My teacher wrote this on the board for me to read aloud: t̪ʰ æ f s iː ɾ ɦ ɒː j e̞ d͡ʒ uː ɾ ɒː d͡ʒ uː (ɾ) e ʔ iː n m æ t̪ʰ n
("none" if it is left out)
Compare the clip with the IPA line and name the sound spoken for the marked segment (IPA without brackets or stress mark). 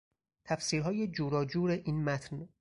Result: ɾ